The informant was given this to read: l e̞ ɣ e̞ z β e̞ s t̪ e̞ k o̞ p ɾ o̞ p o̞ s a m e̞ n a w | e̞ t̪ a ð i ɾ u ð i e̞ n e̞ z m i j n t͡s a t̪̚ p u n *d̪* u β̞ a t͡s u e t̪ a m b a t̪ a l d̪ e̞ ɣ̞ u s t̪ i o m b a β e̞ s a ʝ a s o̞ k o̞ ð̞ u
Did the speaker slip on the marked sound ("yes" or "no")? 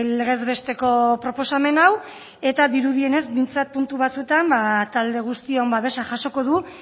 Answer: yes